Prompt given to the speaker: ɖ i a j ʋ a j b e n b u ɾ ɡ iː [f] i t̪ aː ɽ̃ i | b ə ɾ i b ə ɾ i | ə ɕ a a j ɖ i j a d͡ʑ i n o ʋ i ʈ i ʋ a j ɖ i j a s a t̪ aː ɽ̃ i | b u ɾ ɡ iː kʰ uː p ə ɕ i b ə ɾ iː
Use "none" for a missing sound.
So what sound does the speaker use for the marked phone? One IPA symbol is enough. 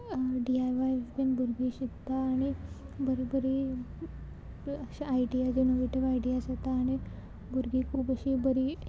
ɕ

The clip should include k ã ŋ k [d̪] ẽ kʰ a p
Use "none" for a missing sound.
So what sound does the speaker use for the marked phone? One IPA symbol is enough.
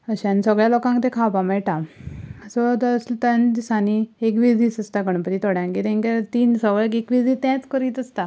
t̪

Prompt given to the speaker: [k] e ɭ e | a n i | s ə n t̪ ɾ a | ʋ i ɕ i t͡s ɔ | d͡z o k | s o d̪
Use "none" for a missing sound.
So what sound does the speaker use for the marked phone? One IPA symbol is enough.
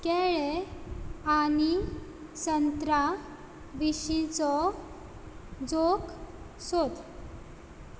k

